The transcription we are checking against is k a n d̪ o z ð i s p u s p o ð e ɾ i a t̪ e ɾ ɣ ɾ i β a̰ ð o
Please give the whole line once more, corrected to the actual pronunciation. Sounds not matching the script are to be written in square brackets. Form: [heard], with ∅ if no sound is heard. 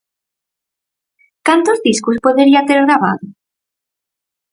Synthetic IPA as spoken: k a n [t̪] o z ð i s [k] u s p o ð e ɾ i a t̪ e ɾ ɣ ɾ [a] β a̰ ð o